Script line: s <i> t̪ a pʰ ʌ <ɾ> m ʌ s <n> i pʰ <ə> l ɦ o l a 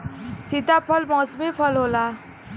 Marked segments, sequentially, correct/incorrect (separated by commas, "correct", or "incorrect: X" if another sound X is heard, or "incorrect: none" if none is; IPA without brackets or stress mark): correct, incorrect: l, incorrect: m, incorrect: ʌ